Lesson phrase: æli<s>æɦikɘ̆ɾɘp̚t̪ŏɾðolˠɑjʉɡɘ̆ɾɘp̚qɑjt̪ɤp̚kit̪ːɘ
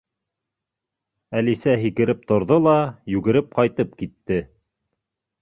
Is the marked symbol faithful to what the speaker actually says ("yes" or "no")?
yes